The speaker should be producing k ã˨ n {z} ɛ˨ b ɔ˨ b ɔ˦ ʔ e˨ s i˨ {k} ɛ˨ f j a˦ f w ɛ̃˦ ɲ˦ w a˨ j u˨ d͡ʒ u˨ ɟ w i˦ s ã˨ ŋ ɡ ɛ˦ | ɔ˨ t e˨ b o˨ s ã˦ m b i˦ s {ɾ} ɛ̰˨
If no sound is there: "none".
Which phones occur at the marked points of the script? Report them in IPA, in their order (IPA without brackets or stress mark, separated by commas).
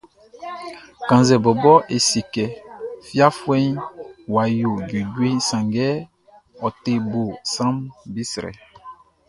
z, k, ɾ